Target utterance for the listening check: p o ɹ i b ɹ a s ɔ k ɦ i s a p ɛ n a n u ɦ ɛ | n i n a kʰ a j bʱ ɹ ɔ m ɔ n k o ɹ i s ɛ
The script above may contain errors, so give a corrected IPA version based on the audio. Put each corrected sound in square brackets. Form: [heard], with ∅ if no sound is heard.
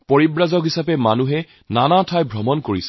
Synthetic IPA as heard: p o ɹ i b ɹ a [z] ɔ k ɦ i s a p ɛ [m] a n u ɦ ɛ | n [a] n a [tʰ] a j bʱ ɹ ɔ m ɔ n k o ɹ i s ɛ